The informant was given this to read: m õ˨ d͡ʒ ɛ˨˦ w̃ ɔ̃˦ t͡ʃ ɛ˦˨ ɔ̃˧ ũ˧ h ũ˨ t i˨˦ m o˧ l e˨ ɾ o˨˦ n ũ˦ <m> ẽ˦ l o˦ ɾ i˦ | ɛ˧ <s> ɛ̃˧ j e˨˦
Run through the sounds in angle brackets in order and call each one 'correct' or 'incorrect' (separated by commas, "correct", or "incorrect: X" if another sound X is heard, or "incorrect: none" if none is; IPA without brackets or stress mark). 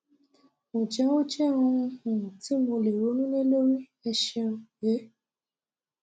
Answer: incorrect: n, incorrect: ʃ